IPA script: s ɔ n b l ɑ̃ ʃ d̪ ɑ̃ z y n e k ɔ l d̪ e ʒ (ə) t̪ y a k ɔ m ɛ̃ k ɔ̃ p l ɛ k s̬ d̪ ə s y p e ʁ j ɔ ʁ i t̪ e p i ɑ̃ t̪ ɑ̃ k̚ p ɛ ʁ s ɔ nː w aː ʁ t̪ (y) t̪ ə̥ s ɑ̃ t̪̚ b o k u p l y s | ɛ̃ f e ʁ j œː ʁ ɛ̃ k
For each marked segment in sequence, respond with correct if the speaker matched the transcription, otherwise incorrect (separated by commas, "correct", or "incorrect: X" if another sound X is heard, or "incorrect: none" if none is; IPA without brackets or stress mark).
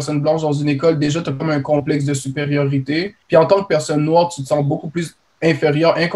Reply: incorrect: a, correct